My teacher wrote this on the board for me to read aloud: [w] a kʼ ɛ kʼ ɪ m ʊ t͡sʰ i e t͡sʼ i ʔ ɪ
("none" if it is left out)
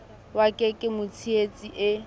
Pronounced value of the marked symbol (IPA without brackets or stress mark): w